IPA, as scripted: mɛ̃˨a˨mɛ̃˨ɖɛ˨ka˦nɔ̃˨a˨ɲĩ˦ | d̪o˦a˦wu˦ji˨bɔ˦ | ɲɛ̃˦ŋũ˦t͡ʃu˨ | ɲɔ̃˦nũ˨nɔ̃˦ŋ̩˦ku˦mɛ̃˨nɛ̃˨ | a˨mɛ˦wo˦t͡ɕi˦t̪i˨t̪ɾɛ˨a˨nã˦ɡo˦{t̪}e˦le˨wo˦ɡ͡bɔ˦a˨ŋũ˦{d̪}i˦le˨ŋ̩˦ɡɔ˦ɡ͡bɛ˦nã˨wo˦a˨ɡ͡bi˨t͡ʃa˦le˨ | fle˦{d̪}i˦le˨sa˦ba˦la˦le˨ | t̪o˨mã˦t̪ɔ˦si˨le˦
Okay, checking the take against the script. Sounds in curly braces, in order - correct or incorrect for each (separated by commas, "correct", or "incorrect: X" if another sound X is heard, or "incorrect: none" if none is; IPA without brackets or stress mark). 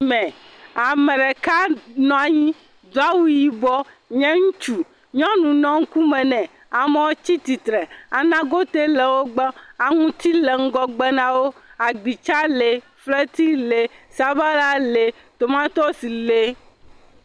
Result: correct, incorrect: t̪, incorrect: t̪